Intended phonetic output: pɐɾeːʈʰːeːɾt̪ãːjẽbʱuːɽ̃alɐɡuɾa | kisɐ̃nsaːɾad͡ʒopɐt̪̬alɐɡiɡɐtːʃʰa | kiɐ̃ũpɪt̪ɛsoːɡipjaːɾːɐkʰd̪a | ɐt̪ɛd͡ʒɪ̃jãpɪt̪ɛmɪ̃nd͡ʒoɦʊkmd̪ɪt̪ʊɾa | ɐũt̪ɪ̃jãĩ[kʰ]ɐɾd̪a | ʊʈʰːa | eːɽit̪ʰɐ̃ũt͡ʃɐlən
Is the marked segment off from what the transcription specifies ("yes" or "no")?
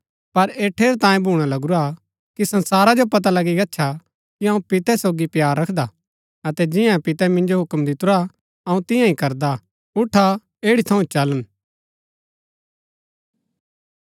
yes